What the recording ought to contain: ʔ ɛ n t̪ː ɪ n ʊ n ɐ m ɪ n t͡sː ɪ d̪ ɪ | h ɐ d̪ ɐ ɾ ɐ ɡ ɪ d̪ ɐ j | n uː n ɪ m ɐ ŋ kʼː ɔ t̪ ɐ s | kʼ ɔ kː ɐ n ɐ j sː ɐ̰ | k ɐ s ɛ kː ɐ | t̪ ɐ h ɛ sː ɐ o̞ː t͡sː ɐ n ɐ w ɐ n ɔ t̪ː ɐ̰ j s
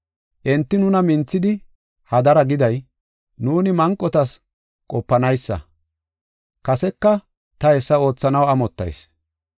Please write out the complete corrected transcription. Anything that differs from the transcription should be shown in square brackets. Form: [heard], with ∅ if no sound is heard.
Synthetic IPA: ʔ ɛ n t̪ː ɪ n ʊ n ɐ m ɪ n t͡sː ɪ d̪ ɪ | h ɐ d̪ ɐ ɾ ɐ ɡ ɪ d̪ ɐ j | n uː n ɪ m ɐ ŋ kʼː ɔ t̪ ɐ s | kʼ ɔ [pː] ɐ n ɐ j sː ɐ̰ | k ɐ s ɛ kː ɐ | t̪ ɐ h ɛ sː ɐ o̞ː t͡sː ɐ n ɐ w ɐ [m] ɔ t̪ː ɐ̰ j s